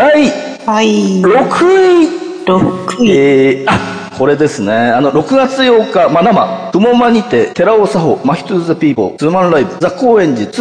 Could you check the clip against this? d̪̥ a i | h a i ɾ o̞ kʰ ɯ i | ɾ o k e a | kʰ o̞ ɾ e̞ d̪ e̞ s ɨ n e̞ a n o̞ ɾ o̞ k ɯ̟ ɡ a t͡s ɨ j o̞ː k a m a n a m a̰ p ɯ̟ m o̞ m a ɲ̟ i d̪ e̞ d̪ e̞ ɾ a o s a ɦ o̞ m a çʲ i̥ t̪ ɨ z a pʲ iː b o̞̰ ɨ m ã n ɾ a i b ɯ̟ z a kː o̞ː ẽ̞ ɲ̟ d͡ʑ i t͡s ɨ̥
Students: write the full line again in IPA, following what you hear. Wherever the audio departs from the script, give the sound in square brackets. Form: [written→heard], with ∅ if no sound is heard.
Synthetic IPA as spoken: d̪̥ a i | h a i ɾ o̞ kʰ ɯ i | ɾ o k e a | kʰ o̞ ɾ e̞ d̪ e̞ s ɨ n e̞ a n o̞ ɾ o̞ k ɯ̟ ɡ a t͡s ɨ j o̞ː k a m a n a m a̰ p ɯ̟ m o̞ m a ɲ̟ i [d̪→t̪] e̞ [d̪→t̪] e̞ ɾ a o s a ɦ o̞ m a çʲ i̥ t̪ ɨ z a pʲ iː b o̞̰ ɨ m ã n ɾ a i b ɯ̟ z a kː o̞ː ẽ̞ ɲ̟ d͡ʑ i t͡s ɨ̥